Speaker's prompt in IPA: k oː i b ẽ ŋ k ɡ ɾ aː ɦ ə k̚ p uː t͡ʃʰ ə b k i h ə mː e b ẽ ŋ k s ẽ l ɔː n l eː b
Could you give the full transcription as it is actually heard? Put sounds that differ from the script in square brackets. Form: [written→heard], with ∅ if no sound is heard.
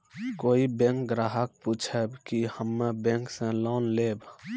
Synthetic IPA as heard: k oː i b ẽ ŋ k ɡ ɾ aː ɦ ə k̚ p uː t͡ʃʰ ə b k i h ə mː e b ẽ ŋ k s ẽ l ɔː n l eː b